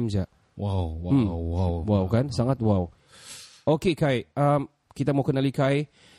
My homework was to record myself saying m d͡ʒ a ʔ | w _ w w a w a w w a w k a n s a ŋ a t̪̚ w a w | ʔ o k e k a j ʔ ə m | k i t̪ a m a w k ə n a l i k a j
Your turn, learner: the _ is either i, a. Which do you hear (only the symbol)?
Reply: a